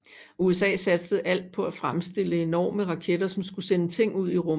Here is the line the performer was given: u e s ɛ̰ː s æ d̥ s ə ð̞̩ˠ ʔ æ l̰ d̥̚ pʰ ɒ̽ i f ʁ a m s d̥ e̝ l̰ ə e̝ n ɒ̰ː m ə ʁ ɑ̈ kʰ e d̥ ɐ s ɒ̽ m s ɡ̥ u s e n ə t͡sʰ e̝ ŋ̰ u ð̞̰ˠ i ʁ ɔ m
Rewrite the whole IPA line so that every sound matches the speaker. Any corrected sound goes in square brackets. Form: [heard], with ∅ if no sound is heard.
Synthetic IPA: u e s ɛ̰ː s æ d̥ s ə ð̞̩ˠ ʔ æ l̰ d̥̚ pʰ ɒ̽ [æ] f ʁ a m s d̥ e̝ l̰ ə e̝ n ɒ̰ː m ə ʁ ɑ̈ kʰ e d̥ ɐ s ɒ̽ m s ɡ̥ u s e n ə t͡sʰ e̝ ŋ̰ u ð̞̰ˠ i ʁ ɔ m